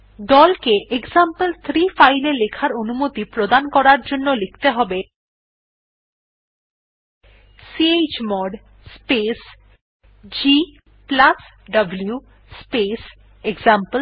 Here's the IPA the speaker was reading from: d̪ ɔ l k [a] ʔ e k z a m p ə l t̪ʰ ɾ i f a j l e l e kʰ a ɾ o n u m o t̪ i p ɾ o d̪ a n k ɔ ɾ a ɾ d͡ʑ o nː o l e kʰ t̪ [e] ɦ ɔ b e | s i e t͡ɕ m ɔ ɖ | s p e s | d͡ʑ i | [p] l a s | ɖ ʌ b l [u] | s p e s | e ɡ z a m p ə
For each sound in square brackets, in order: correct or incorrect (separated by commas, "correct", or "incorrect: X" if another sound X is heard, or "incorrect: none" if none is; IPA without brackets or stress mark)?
incorrect: e, correct, correct, correct